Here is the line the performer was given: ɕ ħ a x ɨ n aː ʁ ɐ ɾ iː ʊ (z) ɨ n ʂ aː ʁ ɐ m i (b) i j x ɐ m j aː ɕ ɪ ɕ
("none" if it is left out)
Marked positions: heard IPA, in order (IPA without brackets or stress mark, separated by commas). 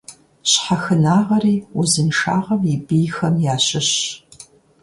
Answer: z, b